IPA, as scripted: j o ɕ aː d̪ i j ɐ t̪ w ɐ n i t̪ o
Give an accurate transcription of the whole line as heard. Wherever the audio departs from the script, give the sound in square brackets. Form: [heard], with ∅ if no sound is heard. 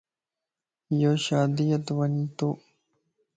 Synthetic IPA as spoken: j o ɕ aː d̪ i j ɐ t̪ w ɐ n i t̪ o